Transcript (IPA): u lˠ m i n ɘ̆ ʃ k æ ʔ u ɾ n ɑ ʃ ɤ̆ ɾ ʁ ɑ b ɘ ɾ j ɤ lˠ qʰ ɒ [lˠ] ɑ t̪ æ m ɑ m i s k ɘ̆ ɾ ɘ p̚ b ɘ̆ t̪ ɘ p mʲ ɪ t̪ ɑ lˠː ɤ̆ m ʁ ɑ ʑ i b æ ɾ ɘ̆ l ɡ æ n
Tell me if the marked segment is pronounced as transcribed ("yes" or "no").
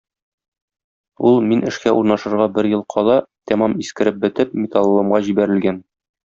yes